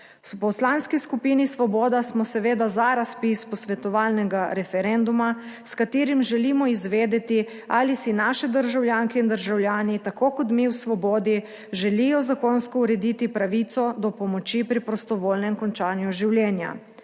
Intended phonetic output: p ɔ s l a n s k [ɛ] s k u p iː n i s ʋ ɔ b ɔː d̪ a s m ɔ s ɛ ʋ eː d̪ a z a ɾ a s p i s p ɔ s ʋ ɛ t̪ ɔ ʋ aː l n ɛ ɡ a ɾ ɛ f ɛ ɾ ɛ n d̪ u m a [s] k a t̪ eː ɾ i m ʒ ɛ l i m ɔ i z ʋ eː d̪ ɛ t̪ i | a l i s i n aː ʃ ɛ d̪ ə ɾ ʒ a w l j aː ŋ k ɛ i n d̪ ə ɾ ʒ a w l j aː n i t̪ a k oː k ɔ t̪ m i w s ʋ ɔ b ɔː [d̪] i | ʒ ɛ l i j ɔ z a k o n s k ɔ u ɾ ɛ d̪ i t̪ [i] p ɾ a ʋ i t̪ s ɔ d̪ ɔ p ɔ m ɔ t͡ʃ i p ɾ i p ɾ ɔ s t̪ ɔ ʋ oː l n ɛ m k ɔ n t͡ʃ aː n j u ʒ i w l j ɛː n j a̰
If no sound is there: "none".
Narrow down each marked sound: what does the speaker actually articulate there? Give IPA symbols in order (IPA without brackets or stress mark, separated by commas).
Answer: i, s, d̪, i